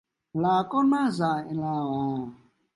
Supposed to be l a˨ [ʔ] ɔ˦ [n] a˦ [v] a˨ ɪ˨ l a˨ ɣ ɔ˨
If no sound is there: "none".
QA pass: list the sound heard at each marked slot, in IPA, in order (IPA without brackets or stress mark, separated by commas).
k, n, z